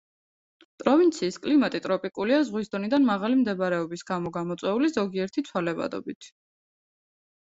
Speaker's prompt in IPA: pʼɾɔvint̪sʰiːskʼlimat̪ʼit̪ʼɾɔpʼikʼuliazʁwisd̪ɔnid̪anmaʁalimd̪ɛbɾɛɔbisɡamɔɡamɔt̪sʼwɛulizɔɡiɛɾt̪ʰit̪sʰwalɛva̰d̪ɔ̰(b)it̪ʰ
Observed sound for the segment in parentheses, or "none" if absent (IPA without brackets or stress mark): b